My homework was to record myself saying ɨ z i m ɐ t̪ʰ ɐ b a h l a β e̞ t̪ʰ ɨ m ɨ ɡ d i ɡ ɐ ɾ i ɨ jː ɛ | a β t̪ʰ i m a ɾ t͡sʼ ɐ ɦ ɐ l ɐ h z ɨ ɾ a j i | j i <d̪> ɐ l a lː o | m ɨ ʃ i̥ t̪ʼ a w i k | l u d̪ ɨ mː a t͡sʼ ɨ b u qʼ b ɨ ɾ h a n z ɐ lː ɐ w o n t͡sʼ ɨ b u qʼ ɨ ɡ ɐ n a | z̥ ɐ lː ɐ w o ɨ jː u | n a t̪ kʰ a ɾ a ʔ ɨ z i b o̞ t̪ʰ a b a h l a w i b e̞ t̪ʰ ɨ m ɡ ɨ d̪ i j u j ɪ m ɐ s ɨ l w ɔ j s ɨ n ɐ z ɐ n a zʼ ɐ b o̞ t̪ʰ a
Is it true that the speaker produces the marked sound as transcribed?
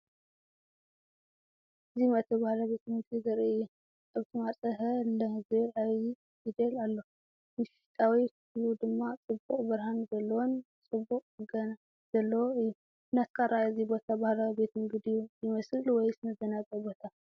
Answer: yes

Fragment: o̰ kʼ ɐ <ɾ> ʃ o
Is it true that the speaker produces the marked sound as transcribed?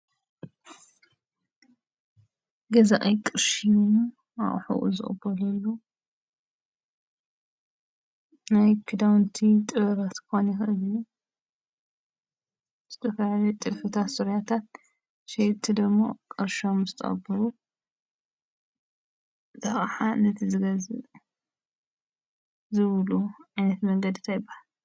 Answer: yes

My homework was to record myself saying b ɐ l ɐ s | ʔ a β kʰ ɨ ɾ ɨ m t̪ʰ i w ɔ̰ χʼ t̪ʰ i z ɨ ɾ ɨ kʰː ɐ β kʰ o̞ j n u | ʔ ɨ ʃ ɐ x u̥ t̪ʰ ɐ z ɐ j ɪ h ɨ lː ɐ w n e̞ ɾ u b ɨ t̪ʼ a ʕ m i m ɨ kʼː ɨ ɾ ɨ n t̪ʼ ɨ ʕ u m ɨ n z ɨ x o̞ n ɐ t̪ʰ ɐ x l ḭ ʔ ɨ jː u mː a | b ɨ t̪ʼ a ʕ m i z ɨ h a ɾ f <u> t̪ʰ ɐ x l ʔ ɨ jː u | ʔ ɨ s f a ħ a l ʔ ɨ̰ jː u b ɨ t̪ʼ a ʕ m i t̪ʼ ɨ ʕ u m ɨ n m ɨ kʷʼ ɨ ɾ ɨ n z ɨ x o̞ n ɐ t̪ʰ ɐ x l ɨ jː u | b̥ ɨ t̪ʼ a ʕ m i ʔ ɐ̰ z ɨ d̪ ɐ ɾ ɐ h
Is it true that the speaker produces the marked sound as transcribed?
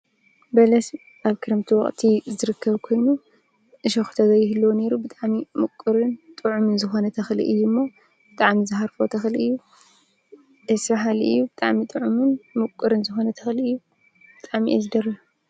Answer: no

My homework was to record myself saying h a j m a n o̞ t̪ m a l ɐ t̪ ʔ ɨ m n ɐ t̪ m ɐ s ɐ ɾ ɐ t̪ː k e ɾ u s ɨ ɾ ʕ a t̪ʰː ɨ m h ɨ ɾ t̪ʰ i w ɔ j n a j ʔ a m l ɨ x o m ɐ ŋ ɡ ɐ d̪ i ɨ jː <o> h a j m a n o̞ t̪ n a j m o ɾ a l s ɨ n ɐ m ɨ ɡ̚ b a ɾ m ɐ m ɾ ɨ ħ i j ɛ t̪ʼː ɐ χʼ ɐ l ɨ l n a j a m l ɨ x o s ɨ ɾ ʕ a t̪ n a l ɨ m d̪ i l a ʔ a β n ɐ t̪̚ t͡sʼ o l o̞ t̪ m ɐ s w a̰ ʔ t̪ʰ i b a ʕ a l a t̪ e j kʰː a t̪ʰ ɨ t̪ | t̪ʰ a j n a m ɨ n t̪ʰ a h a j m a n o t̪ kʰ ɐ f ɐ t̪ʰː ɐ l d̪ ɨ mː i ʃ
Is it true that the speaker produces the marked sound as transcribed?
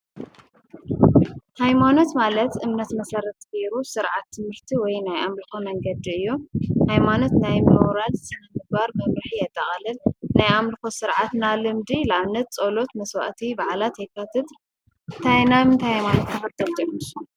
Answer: no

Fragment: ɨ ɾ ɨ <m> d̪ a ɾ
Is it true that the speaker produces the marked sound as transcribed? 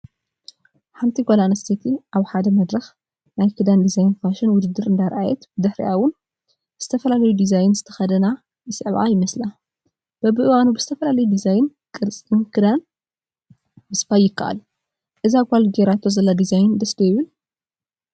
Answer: no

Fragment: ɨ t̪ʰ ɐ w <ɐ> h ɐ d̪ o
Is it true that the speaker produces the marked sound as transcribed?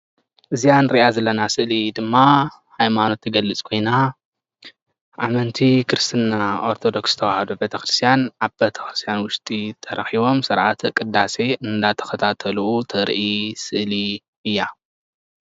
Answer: no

